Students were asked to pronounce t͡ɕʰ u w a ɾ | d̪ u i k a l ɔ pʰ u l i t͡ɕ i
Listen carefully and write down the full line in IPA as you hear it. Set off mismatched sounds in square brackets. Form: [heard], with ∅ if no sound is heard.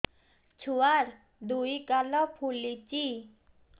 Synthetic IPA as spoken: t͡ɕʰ u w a ɾ | d̪ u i k a l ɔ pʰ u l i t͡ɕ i